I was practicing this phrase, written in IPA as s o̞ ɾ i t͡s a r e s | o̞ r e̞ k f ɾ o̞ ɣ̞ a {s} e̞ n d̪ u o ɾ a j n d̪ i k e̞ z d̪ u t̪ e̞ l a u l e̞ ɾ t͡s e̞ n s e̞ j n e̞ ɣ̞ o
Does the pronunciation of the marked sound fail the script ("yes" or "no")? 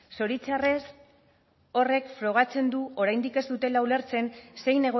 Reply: yes